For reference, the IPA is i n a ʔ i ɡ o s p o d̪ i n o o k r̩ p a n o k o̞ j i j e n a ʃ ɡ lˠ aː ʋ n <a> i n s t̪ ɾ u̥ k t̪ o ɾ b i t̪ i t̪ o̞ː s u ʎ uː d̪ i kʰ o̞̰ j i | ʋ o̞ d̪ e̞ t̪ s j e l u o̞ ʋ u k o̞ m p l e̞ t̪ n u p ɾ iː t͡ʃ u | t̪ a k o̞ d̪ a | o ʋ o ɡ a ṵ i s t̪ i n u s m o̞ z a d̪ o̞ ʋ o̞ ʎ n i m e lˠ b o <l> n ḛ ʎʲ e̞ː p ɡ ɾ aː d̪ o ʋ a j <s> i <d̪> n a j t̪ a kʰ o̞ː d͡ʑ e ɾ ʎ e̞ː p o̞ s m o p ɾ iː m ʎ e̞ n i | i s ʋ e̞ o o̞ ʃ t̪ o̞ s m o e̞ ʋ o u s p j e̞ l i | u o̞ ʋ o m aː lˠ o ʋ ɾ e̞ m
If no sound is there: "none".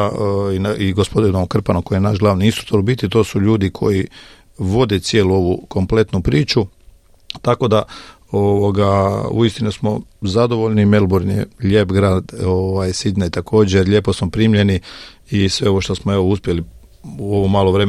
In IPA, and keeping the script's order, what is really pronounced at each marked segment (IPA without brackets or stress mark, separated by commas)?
i, ɾ, s, d̪